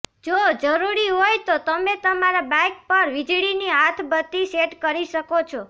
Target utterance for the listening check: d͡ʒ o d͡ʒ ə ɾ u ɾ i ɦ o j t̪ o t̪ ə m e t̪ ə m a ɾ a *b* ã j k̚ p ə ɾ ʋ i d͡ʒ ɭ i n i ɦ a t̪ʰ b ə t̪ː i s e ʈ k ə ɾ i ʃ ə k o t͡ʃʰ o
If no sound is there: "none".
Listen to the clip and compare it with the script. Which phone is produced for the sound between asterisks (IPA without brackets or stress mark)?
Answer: b